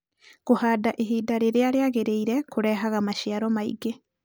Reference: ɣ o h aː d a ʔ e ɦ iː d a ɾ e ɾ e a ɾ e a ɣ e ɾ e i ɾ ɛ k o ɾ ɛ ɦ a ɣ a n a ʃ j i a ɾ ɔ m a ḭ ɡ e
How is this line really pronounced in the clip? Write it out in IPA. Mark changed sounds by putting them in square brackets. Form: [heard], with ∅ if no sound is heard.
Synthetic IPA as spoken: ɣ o h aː d a ʔ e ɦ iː d a ɾ e ɾ e a ɾ e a ɣ e ɾ e i ɾ ɛ k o ɾ ɛ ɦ a ɣ a [m] a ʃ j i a ɾ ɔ m a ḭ ɡ e